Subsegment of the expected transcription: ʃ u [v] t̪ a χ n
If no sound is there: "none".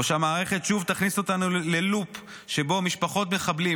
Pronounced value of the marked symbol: v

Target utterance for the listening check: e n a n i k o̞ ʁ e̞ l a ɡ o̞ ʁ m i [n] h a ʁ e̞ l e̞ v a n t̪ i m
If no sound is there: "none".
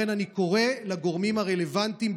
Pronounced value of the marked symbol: m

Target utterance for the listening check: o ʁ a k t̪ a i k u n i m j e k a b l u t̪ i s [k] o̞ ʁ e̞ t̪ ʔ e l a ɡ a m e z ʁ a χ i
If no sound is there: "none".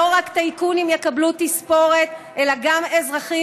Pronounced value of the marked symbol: p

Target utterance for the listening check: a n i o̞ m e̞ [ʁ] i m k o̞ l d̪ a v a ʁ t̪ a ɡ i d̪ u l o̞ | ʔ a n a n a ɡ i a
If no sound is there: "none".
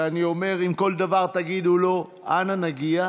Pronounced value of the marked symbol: ʁ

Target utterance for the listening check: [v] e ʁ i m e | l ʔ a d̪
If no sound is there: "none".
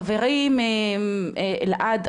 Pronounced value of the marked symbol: v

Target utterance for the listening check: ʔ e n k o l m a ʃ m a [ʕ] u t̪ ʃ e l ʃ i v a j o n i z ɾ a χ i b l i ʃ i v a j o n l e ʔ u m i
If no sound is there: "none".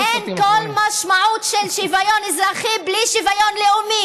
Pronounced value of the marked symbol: ʕ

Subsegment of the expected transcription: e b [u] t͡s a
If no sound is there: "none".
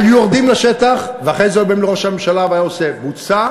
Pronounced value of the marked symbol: u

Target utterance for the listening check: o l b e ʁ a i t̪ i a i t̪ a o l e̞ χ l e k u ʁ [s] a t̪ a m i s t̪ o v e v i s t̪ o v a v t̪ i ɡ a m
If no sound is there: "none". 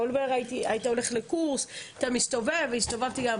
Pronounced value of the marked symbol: s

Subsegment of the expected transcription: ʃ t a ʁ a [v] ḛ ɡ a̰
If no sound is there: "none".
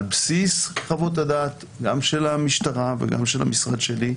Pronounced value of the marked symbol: v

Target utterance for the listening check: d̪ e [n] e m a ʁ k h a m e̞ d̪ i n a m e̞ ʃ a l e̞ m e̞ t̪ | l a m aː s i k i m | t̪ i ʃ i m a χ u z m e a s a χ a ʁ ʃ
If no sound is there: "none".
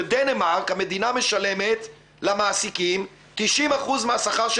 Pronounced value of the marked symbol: n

